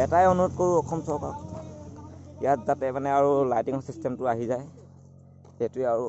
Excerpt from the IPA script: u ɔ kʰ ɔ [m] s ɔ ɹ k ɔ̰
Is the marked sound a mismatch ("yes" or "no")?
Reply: no